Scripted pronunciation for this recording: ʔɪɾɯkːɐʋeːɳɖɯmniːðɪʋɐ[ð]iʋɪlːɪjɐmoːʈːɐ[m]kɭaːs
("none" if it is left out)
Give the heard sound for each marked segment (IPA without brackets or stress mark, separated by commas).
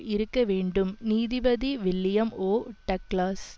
ð, none